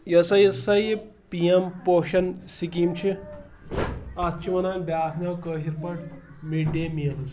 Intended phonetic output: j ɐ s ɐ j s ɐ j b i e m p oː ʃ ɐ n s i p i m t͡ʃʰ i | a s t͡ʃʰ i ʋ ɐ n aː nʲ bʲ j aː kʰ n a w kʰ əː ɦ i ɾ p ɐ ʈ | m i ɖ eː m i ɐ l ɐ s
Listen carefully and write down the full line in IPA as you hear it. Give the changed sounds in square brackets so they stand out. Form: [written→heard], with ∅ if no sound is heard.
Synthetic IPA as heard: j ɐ s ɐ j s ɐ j [b→p] i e m p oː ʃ ɐ n s i [p→k] i m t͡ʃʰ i | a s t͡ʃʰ i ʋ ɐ n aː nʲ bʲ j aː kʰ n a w [kʰ→k] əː ɦ i ɾ p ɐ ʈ | m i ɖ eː m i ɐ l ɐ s